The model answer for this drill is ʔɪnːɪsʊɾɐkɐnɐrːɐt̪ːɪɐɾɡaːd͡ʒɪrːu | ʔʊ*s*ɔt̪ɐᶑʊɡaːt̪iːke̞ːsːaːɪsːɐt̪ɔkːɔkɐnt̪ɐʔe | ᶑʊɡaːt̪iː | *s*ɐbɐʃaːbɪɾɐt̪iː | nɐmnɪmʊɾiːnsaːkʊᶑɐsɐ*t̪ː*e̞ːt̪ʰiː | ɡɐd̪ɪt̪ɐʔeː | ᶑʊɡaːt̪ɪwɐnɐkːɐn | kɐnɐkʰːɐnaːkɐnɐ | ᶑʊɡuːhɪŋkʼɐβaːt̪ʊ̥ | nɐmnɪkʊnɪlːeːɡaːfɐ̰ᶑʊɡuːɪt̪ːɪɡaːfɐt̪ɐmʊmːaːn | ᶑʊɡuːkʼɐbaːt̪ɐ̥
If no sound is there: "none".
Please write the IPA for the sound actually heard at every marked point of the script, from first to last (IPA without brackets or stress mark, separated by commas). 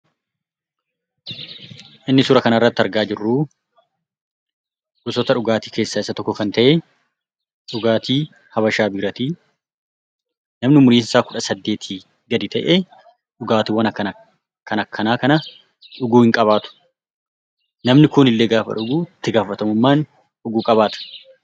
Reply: s, h, d̪ː